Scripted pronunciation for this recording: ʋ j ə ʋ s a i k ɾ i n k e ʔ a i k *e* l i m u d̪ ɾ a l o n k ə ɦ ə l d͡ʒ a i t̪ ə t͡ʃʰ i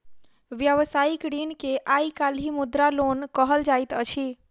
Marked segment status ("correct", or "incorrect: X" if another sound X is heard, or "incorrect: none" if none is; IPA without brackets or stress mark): incorrect: a